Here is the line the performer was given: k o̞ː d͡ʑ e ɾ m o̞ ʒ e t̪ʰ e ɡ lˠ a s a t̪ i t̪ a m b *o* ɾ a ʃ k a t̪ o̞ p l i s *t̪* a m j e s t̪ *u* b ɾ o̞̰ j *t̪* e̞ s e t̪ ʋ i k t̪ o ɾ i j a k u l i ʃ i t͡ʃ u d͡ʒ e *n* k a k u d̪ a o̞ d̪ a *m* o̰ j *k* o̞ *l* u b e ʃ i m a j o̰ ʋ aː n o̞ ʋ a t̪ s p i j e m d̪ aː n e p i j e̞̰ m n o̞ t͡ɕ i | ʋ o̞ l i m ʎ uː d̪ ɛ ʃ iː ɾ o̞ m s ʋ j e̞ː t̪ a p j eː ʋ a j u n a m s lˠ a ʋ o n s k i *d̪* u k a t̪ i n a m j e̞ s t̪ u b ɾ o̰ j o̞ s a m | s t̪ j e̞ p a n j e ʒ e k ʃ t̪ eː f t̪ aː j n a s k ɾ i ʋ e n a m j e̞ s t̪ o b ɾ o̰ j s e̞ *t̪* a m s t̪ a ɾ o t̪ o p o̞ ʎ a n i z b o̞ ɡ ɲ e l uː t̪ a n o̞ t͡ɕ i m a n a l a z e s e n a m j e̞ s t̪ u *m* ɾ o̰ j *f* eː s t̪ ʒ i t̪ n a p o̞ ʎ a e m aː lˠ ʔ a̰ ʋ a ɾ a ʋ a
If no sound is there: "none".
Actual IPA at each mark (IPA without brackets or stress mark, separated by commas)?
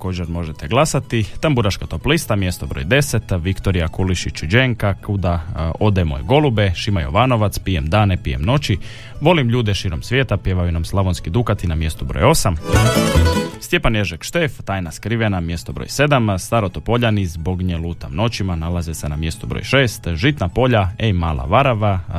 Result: u, t̪, o, d̪, ŋ, m, ɡ, l, d̪, d̪, b, ʃ